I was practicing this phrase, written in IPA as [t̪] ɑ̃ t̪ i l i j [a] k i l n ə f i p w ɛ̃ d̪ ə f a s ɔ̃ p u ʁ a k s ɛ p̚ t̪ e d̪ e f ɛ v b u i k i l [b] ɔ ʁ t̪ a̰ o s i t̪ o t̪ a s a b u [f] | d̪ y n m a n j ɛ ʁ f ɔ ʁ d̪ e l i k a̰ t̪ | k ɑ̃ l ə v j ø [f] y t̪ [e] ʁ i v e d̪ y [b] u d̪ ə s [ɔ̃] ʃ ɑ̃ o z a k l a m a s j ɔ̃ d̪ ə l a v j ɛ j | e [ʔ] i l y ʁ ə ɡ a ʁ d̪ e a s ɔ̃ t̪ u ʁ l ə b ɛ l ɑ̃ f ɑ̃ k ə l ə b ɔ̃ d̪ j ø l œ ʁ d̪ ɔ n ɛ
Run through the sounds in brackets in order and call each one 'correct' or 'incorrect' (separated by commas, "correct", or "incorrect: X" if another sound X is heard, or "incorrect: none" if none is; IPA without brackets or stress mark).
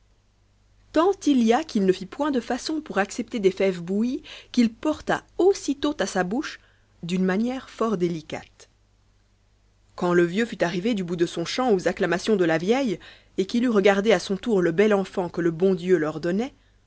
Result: correct, correct, incorrect: p, incorrect: ʃ, correct, incorrect: a, correct, correct, incorrect: k